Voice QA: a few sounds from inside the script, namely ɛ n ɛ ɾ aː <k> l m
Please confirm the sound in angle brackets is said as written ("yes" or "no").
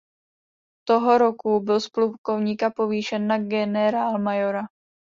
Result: no